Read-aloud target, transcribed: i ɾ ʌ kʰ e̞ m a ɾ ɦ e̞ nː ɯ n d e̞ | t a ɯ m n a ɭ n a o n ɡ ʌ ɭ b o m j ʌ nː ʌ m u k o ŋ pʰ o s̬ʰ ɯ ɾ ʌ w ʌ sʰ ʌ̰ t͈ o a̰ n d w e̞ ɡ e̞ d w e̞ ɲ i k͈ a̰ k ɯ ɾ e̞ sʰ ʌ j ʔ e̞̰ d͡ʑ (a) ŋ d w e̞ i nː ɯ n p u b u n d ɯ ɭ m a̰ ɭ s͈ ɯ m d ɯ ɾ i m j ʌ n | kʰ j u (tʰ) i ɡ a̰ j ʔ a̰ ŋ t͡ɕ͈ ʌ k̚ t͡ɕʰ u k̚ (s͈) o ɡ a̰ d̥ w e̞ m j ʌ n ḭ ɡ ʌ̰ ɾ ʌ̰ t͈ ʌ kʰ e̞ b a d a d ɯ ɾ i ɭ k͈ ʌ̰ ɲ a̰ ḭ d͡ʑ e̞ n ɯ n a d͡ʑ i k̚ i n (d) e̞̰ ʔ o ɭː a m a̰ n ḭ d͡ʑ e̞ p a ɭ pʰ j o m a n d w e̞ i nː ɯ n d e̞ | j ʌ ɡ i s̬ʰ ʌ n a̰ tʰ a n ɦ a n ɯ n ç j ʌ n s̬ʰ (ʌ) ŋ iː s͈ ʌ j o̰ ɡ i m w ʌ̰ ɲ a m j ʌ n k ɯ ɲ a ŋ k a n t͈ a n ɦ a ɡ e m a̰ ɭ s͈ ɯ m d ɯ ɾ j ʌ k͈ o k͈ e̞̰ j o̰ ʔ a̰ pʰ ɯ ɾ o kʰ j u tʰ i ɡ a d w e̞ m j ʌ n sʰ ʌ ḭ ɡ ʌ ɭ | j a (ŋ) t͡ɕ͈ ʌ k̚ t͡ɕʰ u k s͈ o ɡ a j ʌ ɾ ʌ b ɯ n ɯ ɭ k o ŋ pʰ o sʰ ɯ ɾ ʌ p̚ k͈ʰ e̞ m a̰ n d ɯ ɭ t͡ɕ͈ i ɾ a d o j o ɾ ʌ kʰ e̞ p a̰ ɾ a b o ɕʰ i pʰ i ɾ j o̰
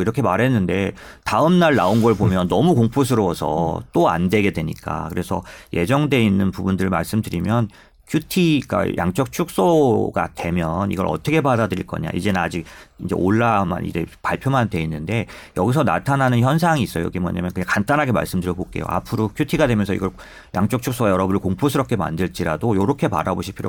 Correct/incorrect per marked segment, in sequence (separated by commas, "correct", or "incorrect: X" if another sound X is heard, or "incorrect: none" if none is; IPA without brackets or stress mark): incorrect: ʌ, correct, correct, incorrect: d͡ʑ, incorrect: a, correct